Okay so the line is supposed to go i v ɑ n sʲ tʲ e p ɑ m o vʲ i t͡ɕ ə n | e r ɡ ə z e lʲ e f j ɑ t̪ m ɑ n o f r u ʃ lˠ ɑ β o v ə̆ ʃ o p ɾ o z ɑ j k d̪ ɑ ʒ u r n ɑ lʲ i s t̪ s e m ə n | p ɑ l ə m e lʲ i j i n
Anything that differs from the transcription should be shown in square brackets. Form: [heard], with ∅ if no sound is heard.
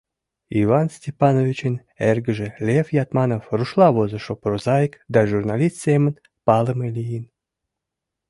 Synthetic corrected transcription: i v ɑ n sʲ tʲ e p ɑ [n] o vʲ i t͡ɕ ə n | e r ɡ ə [ʒ] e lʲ e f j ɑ t̪ m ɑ n o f r u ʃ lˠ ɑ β o [z] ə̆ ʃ o p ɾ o z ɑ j k d̪ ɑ ʒ u r n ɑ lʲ i s t̪ s e m ə n | p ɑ l ə m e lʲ i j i n